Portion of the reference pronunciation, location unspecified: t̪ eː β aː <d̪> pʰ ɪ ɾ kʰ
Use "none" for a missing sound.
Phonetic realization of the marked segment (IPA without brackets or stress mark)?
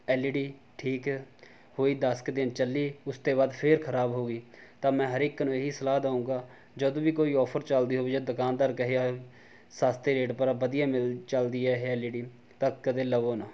d̪